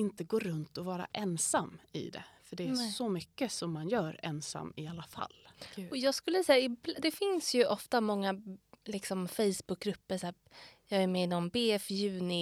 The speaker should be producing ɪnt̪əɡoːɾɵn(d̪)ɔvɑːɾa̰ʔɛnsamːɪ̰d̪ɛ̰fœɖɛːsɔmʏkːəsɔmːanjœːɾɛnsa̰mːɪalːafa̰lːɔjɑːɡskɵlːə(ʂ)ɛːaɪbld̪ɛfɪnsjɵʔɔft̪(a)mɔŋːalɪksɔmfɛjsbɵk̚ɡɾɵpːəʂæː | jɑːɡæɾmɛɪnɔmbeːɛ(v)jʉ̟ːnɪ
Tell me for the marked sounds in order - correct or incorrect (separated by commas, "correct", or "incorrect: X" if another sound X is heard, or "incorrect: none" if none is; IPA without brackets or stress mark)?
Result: incorrect: t̪, incorrect: s, correct, incorrect: f